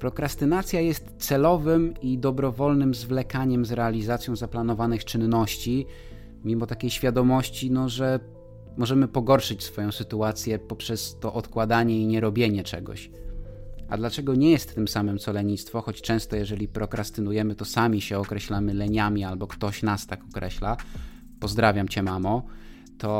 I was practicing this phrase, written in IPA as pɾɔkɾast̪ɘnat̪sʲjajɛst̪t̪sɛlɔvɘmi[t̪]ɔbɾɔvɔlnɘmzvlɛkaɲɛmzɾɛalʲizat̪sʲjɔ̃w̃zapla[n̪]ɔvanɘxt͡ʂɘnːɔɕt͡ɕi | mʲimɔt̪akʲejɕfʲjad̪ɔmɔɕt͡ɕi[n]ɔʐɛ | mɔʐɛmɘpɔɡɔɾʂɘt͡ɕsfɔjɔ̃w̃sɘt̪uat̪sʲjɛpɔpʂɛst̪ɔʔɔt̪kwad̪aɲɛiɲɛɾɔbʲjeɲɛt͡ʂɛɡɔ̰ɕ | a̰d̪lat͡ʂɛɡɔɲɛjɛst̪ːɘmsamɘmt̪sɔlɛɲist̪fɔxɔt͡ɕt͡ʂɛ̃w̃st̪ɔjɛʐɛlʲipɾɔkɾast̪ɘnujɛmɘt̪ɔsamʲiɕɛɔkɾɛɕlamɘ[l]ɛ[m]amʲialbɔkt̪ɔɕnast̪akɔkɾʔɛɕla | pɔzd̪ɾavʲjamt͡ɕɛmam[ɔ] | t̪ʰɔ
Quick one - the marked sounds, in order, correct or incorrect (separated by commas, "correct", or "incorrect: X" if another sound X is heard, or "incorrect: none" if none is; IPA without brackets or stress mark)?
incorrect: d̪, correct, correct, correct, incorrect: ɲ, correct